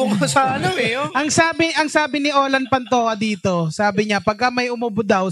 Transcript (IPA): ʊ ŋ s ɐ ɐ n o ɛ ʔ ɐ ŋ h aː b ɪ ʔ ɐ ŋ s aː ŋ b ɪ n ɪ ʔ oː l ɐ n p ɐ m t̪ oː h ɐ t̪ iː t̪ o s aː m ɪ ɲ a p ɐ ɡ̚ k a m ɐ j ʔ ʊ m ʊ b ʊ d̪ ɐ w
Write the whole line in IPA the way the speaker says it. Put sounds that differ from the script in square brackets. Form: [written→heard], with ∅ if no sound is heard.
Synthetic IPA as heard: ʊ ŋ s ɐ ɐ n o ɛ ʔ ɐ ŋ [h→s] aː b ɪ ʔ ɐ ŋ s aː [ŋ→∅] b ɪ n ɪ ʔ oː l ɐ n p ɐ [m→n] t̪ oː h ɐ [t̪→d̪] iː t̪ o s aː [m→b] ɪ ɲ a p ɐ ɡ̚ k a m ɐ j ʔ ʊ m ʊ b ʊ d̪ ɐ w